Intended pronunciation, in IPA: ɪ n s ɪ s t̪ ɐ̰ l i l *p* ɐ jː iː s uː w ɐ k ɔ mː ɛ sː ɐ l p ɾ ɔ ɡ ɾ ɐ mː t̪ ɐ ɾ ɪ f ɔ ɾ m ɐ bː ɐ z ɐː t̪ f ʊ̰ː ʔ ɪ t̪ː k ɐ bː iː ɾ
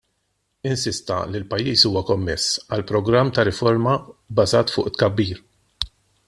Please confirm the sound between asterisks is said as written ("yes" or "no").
yes